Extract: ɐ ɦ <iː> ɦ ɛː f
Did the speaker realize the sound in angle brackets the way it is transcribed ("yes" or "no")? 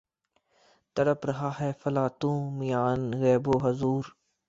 no